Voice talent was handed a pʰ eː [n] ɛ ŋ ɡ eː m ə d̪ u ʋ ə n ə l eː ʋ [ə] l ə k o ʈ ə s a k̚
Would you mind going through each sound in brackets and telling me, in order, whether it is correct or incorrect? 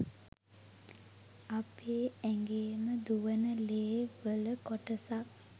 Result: incorrect, correct

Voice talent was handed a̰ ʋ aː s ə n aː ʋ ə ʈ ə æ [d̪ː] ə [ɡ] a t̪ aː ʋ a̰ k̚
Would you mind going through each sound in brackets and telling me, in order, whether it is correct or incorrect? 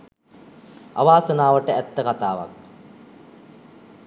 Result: incorrect, incorrect

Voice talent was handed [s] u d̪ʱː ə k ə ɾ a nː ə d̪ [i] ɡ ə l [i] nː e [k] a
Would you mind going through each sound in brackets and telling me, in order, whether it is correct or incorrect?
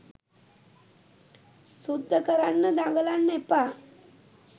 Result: correct, incorrect, incorrect, incorrect

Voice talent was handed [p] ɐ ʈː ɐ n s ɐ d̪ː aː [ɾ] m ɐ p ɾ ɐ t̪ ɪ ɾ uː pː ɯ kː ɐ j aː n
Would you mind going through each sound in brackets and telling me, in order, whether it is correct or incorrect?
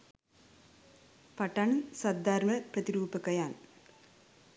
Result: correct, correct

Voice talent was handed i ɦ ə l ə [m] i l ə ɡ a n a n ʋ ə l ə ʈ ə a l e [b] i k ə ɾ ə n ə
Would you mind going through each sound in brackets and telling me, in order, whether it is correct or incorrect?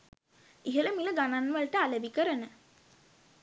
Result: correct, correct

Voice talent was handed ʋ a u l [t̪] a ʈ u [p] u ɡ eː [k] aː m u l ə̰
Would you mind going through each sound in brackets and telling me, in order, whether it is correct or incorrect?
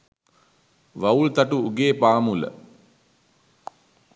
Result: correct, incorrect, incorrect

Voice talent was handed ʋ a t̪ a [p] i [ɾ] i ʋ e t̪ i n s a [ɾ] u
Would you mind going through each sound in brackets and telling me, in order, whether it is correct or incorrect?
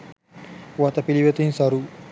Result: correct, incorrect, correct

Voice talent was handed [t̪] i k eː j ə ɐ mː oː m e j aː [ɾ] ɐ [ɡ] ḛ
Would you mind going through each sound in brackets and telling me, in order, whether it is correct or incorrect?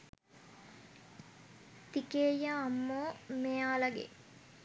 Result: correct, incorrect, correct

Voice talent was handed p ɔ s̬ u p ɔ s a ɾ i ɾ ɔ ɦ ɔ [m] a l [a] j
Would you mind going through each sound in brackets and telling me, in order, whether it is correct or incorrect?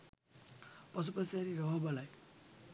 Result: incorrect, correct

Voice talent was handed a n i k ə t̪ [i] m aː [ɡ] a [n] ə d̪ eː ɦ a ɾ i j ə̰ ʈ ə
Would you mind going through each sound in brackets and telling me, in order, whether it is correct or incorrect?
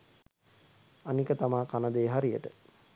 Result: incorrect, incorrect, correct

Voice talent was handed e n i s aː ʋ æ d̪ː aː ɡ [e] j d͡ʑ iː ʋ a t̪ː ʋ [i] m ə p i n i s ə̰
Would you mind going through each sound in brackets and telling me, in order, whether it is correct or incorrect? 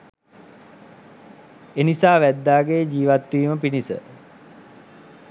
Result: correct, incorrect

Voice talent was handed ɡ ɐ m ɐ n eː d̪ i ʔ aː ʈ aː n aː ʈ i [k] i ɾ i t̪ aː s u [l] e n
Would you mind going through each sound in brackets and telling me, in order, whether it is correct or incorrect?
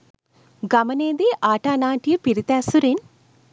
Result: incorrect, incorrect

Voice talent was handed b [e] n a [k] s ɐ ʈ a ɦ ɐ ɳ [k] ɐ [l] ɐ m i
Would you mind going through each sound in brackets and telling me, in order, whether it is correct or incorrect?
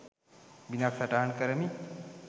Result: incorrect, correct, correct, incorrect

